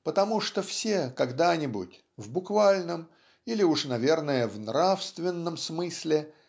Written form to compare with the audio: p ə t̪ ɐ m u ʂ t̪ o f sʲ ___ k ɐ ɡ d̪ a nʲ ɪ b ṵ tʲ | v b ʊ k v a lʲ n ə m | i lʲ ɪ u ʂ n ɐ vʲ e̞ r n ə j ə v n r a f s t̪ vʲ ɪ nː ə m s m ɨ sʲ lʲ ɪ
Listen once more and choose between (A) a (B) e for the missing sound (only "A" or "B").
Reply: B